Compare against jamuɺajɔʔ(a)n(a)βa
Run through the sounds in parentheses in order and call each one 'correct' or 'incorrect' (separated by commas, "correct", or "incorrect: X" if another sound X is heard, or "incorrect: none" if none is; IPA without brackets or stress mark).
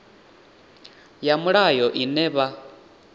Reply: incorrect: i, incorrect: ɛ